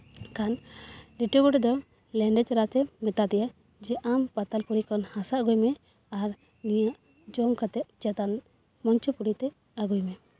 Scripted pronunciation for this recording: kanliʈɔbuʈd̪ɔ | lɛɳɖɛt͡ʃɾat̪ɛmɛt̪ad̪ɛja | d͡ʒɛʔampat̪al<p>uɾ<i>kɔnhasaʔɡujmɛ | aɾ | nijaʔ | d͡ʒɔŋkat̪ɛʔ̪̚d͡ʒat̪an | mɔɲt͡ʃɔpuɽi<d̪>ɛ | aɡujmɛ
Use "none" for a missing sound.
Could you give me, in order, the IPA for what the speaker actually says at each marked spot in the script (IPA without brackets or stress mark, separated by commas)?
p, i, t̪